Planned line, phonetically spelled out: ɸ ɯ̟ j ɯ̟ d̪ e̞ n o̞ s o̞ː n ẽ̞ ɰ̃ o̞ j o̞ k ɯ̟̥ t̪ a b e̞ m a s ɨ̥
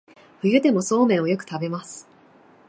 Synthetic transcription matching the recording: ɸ ɯ̟ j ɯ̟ d̪ e̞ m o̞ s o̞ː m ẽ̞ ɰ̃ o̞ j o̞ k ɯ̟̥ t̪ a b e̞ m a s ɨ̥